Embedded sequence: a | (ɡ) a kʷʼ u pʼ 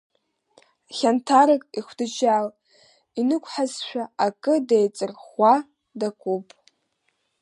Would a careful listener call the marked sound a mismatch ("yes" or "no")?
yes